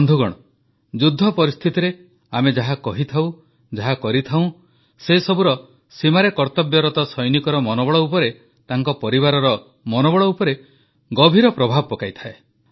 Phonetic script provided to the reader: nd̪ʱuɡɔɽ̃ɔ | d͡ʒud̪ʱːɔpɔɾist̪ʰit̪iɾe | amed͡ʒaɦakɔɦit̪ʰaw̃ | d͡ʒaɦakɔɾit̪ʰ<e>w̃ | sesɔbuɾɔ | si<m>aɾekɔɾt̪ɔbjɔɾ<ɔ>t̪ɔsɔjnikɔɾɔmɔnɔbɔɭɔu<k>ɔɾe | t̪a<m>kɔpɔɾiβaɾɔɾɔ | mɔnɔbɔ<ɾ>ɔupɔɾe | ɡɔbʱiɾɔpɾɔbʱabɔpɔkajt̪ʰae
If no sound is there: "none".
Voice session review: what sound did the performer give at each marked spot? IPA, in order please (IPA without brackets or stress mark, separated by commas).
a, m, ɔ, p, ŋ, ɭ